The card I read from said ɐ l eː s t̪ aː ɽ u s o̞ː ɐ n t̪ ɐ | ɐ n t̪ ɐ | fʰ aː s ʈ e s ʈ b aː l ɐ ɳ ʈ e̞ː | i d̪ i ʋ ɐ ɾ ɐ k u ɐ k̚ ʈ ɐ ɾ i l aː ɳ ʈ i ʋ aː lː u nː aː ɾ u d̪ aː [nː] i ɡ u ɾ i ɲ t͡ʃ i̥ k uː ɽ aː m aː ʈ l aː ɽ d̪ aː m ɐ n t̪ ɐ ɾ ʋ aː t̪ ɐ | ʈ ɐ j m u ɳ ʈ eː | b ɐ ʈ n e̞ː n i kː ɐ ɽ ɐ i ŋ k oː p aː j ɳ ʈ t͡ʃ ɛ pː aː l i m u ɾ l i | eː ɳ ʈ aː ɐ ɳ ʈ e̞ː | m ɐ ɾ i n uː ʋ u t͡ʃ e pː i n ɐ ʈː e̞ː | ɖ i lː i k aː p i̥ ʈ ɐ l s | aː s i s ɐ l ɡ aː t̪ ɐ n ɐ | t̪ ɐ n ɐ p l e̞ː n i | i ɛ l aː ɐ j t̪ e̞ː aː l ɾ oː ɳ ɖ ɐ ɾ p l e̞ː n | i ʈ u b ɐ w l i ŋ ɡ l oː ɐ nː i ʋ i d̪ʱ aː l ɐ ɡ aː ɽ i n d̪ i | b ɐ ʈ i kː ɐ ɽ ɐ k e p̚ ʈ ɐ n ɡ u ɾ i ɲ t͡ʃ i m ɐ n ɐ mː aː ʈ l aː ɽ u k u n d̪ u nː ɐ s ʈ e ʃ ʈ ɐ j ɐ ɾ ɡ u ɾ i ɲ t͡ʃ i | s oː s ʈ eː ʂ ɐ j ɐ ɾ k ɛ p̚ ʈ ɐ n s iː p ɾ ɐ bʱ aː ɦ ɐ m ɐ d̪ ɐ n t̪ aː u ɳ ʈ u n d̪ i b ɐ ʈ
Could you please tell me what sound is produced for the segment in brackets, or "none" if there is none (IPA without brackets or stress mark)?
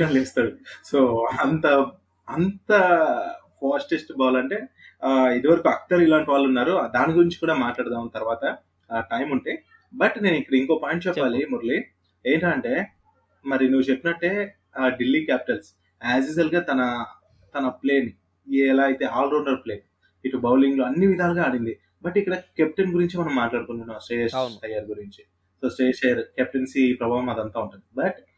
n